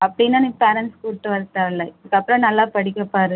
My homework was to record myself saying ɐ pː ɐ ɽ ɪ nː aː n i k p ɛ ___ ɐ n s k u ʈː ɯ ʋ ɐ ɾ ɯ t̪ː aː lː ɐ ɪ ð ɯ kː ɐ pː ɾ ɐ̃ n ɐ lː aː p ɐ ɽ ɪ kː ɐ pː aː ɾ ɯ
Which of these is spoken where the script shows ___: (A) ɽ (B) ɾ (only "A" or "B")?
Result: B